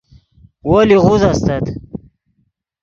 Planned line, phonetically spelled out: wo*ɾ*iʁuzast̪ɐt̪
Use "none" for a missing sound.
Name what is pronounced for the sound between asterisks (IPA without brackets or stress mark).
l